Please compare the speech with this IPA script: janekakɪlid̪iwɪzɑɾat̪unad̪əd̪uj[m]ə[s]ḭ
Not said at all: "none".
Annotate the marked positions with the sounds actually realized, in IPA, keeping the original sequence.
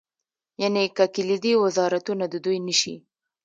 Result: n, ʃ

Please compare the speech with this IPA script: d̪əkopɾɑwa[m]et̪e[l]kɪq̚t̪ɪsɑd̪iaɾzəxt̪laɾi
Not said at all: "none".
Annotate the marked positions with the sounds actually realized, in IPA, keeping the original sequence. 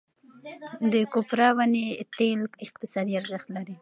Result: n, l

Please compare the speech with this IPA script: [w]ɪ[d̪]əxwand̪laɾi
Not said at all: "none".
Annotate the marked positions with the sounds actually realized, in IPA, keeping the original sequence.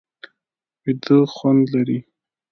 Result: w, d̪

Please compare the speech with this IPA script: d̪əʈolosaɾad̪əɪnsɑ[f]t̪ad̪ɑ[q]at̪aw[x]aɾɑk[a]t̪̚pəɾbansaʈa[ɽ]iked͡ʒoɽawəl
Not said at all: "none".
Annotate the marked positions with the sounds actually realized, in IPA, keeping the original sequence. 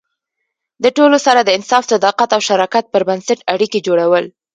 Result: f, q, ʃ, a, ɽ

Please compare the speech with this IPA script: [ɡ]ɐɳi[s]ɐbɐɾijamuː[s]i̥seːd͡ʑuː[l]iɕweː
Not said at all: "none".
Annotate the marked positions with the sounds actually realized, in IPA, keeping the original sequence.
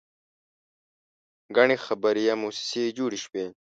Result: ɡ, x, s, ɽ

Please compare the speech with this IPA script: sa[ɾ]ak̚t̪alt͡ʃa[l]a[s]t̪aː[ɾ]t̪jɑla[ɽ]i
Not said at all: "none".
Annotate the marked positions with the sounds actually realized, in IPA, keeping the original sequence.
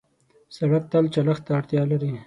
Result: ɽ, l, x, ɽ, ɾ

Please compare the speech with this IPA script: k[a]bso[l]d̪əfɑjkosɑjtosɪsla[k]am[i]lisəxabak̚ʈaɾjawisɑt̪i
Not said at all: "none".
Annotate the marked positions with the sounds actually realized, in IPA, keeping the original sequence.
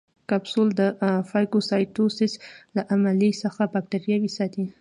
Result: a, l, ʔ, a

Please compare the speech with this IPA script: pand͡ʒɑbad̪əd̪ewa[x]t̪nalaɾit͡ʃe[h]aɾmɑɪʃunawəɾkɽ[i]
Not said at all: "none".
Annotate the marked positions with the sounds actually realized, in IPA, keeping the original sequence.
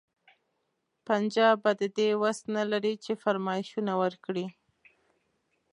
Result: s, f, i

